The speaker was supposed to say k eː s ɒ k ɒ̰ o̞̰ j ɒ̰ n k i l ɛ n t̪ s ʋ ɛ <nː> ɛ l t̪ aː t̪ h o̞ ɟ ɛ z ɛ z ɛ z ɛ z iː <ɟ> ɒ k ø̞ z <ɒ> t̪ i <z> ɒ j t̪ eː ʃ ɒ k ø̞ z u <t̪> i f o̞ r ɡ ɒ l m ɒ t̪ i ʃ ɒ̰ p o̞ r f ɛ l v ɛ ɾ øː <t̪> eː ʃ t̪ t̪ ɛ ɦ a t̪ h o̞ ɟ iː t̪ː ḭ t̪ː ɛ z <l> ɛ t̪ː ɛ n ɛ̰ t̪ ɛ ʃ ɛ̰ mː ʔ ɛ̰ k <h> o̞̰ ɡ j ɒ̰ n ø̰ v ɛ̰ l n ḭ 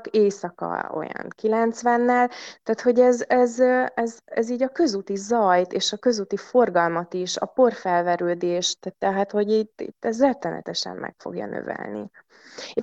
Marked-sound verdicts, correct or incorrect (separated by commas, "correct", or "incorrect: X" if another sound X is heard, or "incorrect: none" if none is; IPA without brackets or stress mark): correct, correct, incorrect: u, correct, correct, incorrect: d̪, incorrect: r, incorrect: f